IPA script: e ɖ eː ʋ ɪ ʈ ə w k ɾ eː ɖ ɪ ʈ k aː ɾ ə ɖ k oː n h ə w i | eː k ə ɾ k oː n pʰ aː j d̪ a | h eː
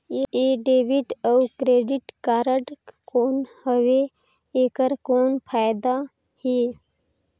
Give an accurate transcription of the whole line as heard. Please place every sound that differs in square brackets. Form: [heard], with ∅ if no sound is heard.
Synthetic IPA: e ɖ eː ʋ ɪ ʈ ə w k ɾ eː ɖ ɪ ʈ k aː ɾ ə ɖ k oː n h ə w [e] | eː k ə ɾ k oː n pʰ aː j d̪ a | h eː